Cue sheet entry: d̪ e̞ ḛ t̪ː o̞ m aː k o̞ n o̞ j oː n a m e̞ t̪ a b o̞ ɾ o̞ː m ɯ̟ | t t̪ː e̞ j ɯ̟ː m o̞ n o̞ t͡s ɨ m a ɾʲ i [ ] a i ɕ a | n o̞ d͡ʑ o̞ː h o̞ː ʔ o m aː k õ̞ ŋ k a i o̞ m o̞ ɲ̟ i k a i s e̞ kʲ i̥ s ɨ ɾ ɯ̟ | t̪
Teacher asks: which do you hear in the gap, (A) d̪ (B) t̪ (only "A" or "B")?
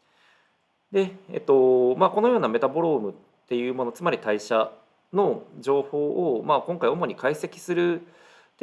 B